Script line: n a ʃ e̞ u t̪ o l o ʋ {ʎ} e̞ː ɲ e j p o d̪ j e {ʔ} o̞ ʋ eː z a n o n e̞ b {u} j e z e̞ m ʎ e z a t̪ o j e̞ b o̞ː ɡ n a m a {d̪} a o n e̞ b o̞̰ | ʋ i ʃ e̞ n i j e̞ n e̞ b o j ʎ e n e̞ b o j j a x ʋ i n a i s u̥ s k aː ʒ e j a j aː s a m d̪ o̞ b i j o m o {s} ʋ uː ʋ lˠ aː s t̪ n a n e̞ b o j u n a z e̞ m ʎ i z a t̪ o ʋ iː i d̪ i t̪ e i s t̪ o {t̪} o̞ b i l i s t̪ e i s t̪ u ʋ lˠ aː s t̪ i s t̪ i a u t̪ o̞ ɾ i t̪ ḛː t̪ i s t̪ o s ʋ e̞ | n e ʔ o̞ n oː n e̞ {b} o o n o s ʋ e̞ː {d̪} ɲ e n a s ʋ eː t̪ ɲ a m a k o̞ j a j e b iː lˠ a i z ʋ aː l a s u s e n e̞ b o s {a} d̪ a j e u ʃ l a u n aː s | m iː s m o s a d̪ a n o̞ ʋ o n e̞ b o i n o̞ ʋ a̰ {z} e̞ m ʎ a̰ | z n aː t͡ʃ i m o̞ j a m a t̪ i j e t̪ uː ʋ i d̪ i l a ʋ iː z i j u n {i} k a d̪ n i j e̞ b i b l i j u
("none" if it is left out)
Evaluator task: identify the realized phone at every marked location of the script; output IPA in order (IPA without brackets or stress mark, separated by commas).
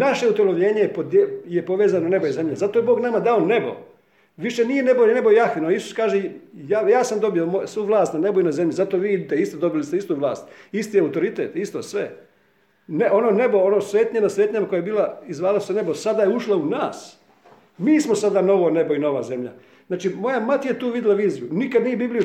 ʎ, p, o, d̪, s, d̪, b, t̪, a, z, i